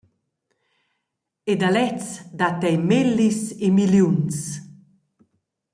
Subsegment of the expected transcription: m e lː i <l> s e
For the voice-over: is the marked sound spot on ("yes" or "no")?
no